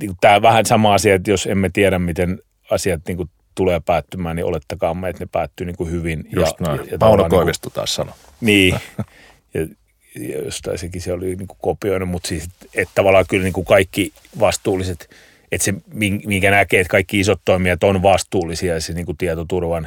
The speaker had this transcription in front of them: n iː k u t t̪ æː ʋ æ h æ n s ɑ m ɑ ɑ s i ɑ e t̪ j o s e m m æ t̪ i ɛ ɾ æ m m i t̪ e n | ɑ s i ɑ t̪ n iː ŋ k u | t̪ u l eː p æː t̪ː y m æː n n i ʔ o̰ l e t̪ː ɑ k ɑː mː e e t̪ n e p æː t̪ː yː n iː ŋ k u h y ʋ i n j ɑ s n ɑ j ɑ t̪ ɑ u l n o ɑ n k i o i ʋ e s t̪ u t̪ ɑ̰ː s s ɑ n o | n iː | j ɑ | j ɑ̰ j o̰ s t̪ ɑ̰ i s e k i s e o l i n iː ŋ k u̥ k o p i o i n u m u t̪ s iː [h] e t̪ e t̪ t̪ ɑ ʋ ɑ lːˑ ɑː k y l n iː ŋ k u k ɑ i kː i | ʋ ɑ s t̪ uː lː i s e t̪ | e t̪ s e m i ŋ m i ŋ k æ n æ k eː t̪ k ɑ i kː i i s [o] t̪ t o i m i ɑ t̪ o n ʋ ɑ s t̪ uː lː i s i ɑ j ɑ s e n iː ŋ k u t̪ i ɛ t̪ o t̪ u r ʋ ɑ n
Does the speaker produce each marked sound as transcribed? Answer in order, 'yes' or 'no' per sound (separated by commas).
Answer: no, yes